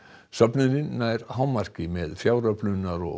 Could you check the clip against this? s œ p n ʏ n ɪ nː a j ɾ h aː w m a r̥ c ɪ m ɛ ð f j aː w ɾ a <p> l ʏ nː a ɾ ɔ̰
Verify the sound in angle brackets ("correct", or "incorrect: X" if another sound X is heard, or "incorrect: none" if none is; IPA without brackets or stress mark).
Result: correct